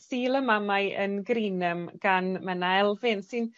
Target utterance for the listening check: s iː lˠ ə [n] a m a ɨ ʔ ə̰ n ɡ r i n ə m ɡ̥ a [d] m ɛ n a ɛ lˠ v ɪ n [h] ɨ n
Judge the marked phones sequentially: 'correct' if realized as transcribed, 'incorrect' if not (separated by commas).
incorrect, incorrect, incorrect